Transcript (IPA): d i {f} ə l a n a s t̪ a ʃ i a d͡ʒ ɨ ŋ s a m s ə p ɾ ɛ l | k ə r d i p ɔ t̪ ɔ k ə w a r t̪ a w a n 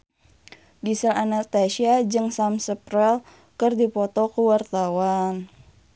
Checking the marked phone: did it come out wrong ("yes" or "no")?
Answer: yes